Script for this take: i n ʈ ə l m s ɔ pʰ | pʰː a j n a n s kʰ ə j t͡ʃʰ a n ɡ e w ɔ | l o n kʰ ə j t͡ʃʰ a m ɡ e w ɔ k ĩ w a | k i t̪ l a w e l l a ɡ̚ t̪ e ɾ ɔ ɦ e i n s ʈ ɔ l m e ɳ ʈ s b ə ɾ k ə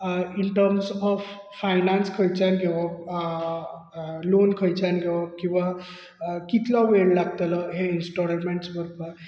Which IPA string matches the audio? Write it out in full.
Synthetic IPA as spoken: i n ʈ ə ɾ m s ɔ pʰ | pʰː a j n a n s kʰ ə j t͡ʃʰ a n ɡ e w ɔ | l o n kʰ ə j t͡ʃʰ a n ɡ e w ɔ k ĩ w a | k i t̪ l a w e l l a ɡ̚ t̪ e l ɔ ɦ e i n s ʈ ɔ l m e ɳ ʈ s b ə ɾ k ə